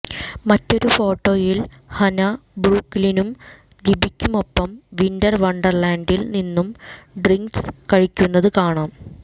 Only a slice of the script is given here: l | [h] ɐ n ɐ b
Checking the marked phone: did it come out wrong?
no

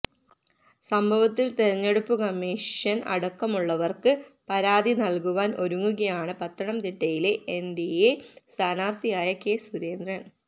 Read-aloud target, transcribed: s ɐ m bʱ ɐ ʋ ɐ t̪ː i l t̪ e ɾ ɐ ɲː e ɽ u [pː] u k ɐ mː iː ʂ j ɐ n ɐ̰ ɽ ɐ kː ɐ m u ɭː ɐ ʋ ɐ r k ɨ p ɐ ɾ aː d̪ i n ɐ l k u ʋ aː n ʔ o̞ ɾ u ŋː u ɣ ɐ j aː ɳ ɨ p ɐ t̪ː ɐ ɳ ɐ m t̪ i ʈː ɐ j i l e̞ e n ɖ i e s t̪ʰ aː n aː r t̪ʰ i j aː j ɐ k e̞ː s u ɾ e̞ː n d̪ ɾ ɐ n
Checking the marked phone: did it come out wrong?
no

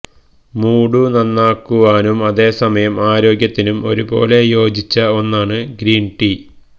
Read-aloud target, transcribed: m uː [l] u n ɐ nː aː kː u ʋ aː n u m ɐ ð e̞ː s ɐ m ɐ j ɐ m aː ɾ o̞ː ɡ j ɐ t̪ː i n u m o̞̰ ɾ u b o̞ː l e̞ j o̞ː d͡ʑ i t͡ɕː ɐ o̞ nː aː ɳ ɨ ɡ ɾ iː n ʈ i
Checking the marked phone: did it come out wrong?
yes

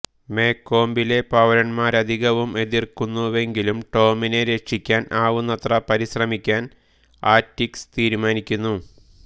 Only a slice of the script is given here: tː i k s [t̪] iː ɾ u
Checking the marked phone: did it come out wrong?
no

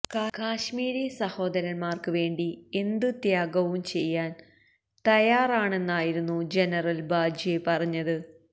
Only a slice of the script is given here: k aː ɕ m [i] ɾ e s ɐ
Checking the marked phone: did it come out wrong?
yes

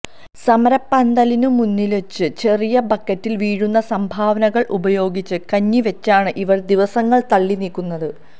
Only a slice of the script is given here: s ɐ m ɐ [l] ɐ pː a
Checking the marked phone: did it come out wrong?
yes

